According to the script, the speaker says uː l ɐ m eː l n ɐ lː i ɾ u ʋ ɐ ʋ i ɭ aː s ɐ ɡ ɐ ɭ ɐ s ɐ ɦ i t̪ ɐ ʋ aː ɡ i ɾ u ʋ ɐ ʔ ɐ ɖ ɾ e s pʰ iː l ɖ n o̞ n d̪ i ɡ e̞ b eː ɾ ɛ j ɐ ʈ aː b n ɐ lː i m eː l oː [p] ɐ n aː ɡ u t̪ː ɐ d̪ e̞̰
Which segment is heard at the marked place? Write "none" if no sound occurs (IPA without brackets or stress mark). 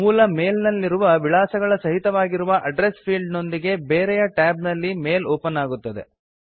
p